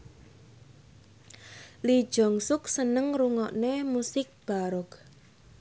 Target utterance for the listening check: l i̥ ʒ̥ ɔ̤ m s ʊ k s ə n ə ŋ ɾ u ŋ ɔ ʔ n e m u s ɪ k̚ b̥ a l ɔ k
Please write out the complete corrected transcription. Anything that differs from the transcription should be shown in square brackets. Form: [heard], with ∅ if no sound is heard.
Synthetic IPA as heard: l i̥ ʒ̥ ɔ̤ [ŋ] s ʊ k s ə n ə ŋ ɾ u ŋ ɔ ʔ n e m u s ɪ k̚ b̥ a [ɾ] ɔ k

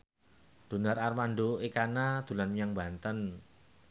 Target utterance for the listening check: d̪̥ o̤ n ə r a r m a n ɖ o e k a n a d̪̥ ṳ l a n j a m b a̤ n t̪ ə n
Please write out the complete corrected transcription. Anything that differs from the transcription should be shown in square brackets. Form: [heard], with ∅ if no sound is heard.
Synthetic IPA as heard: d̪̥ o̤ n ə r a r m a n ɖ o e k a n a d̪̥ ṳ l a n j a [ŋ] b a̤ n t̪ ə n

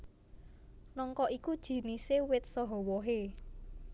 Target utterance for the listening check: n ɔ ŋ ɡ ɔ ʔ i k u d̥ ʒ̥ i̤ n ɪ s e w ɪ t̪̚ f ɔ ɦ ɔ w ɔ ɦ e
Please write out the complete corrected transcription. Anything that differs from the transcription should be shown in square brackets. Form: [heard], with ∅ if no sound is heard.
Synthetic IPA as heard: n ɔ ŋ [k] ɔ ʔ i k u d̥ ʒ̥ i̤ n [i] s e w ɪ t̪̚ [s] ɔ ɦ ɔ w ɔ ɦ e

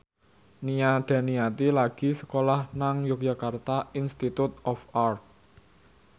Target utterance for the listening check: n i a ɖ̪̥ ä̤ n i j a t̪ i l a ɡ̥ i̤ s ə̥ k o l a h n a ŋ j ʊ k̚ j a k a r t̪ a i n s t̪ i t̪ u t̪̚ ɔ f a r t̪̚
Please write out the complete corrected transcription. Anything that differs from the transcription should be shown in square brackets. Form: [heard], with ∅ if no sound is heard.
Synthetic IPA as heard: n i a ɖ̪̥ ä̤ n i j a t̪ i l a ɡ̥ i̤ s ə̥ k o l a h n a ŋ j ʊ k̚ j a k a r t̪ a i n s t̪ i t̪ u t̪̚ ɔ f a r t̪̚

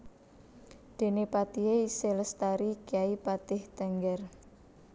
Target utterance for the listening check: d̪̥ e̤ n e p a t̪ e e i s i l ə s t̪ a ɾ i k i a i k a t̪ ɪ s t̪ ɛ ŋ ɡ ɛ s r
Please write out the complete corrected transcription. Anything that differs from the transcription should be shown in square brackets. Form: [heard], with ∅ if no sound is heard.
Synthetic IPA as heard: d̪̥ e̤ n e p a t̪ [i] e i s [e] l ə s t̪ a ɾ i k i a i [p] a t̪ ɪ [h] t̪ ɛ ŋ ɡ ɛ [∅] r

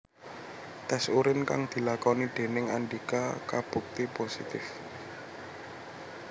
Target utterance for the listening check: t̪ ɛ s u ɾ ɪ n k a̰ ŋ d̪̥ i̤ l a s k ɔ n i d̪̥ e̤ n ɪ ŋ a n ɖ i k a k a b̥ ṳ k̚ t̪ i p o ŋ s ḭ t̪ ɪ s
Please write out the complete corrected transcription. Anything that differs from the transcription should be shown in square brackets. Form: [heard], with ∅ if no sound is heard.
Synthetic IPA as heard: t̪ ɛ s u ɾ ɪ n k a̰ ŋ d̪̥ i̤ l a [∅] k ɔ n i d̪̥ e̤ n ɪ ŋ a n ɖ i k a k a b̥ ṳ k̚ t̪ i p o [∅] s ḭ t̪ ɪ [f]

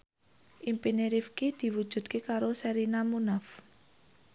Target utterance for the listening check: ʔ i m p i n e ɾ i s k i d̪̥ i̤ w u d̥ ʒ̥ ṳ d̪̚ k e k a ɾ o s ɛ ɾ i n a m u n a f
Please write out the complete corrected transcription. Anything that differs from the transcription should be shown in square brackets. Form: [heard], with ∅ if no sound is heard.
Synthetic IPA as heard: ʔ i m p i n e ɾ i [f] k i d̪̥ i̤ w u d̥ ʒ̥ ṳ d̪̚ k e k a ɾ o s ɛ ɾ i n a m u n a f

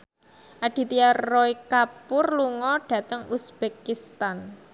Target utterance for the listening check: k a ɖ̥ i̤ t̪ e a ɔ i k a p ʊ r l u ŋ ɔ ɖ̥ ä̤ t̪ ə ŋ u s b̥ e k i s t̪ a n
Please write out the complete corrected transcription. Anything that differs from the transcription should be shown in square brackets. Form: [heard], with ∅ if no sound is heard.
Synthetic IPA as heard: [ʔ] a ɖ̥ i̤ t̪ [i] a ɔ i k a p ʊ r l u ŋ ɔ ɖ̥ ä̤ t̪ ə ŋ u s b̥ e k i s t̪ a n

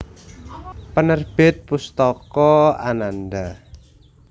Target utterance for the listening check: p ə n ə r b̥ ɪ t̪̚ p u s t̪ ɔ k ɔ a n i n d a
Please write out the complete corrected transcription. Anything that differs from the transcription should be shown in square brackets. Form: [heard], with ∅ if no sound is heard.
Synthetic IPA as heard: p ə n ə r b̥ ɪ t̪̚ p u s t̪ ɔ k ɔ a n [a] n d a

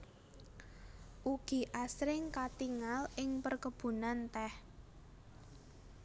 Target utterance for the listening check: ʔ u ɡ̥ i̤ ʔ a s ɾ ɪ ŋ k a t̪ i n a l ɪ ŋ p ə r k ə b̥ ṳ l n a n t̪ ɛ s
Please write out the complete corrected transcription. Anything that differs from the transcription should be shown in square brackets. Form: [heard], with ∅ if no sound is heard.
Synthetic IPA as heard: ʔ u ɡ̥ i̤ ʔ a s ɾ ɪ ŋ k a t̪ i [ŋ] a l ɪ ŋ p ə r k ə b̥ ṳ [∅] n a n t̪ ɛ [h]

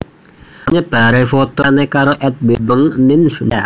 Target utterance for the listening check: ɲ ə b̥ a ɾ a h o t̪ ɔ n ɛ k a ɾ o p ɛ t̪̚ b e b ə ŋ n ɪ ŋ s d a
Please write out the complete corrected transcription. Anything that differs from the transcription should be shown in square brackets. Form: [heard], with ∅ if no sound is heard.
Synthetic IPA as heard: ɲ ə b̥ a ɾ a [f] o t̪ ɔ n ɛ k a ɾ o [ʔ] ɛ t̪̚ b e b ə ŋ n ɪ [n] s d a

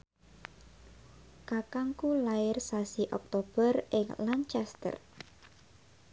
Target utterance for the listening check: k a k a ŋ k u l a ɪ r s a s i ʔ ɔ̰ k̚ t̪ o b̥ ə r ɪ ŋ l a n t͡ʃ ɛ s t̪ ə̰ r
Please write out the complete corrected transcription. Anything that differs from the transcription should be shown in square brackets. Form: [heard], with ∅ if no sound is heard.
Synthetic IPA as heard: k a k a ŋ k u l a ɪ r s a s i ʔ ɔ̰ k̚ t̪ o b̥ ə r ɪ ŋ l a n t͡ʃ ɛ s t̪ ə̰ r

